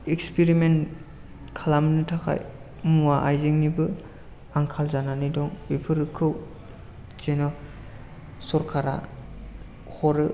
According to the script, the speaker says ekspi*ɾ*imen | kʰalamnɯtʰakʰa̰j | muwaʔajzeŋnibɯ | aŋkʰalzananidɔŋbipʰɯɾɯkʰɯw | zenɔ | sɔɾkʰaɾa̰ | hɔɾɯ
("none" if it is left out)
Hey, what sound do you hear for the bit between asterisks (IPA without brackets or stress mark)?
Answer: ɾ